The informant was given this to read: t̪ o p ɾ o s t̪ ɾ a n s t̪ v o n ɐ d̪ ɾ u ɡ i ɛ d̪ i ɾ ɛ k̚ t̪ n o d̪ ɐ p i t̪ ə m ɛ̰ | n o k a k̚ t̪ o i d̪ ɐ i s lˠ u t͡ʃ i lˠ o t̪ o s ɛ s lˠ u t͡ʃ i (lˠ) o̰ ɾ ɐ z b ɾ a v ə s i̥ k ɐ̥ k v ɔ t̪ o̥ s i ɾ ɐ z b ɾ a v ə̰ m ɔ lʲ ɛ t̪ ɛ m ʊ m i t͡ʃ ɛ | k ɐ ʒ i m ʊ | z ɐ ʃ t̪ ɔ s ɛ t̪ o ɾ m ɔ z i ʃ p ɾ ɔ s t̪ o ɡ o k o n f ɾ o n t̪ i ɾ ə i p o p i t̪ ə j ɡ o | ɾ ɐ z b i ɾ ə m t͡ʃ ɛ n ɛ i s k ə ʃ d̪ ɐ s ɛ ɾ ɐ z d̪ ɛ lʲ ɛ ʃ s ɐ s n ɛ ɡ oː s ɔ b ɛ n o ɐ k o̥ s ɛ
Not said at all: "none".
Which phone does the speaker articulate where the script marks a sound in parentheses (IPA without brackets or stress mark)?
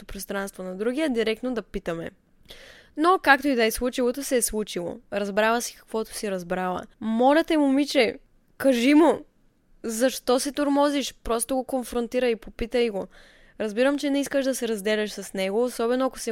lˠ